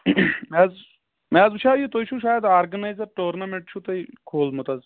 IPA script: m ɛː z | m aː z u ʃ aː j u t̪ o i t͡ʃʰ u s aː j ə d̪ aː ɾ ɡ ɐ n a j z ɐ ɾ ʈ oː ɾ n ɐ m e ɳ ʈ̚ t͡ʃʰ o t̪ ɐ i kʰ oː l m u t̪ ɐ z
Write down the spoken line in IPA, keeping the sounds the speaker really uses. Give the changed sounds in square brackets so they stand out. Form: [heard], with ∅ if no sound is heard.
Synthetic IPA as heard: m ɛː z | m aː z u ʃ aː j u t̪ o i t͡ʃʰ u [ʃ] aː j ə d̪ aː ɾ ɡ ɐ n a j z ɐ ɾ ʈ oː ɾ n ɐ m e ɳ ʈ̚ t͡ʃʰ [u] t̪ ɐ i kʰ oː l m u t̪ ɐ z

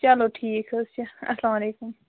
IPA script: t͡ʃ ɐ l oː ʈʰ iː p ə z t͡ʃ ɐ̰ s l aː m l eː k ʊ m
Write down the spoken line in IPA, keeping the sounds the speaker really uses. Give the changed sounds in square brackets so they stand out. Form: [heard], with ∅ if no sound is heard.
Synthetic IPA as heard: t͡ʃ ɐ l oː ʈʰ iː [k] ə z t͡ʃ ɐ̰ s l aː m l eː k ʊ m

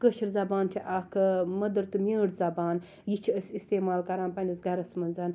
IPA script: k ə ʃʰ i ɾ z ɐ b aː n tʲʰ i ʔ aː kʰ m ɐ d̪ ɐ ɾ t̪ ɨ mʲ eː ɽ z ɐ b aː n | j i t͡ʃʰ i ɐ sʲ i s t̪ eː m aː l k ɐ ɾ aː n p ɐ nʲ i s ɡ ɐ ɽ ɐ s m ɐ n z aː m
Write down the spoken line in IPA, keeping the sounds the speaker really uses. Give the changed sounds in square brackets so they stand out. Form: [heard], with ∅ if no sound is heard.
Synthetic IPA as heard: k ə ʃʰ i ɾ z ɐ b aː n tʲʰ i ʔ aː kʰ m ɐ d̪ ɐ ɾ t̪ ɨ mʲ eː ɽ z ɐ b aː n | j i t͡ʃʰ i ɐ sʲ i s t̪ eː m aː l k ɐ ɾ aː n p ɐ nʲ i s ɡ ɐ [ɾ] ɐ s m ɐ n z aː [n]

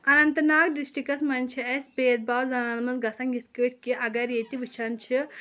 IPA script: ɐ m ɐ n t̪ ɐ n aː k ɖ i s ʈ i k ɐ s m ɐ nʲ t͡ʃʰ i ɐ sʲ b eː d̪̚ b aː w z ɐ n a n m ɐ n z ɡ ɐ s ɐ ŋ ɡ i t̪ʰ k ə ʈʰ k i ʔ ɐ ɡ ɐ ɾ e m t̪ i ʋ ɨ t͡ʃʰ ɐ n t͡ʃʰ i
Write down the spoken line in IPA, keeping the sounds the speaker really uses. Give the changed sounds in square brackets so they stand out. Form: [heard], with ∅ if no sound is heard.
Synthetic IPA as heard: ɐ [n] ɐ n t̪ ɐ n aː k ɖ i s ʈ i k ɐ s m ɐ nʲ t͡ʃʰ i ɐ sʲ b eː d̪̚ b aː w z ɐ n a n m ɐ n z ɡ ɐ s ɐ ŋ ɡ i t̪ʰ k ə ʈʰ k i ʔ ɐ ɡ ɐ ɾ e [∅] t̪ i ʋ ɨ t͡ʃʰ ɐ n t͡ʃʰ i

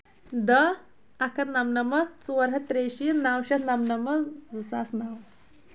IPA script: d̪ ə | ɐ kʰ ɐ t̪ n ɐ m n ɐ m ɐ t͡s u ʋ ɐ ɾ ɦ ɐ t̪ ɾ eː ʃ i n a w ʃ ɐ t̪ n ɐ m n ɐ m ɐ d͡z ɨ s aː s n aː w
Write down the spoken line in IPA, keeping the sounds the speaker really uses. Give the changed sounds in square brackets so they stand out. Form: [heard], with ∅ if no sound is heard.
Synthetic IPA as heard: d̪ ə | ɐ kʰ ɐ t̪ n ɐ m n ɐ m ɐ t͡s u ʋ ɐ ɾ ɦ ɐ t̪ ɾ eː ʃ i n a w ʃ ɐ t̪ n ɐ m n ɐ m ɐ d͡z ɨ s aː s n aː w

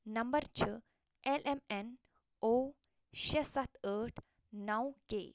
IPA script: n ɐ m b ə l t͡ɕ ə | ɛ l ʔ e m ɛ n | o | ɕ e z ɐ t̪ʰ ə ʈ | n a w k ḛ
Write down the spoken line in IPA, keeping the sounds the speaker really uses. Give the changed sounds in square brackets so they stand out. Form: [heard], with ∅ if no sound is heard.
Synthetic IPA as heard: n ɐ m b ə [ɾ] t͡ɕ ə | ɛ l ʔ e m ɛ n | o | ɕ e [s] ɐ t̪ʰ ə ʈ | n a w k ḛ

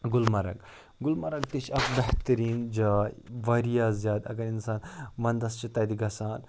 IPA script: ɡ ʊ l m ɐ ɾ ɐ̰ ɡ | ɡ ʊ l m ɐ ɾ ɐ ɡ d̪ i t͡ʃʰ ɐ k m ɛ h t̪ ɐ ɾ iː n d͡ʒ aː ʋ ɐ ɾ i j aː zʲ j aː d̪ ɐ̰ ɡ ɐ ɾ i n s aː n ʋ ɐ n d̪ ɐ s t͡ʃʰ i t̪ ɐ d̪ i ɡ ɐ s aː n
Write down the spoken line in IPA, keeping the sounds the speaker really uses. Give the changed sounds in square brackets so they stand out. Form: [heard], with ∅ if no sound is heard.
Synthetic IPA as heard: ɡ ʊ l m ɐ ɾ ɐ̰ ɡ | ɡ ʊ l m ɐ ɾ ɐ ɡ [t̪] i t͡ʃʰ ɐ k [b] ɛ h t̪ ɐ ɾ iː n d͡ʒ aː ʋ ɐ ɾ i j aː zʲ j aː d̪ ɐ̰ ɡ ɐ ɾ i n s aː n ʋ ɐ n d̪ ɐ s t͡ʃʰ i t̪ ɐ d̪ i ɡ ɐ s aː n

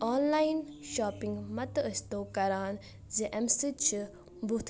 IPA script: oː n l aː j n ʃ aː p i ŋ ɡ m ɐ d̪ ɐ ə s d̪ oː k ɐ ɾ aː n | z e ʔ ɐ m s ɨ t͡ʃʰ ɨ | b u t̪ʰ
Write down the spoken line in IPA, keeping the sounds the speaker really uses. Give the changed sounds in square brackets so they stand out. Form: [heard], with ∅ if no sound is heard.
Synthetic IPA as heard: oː n l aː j n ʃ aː p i ŋ ɡ m ɐ [t̪] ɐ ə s [t̪] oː k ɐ ɾ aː n | z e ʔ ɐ m s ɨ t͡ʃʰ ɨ | b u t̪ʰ

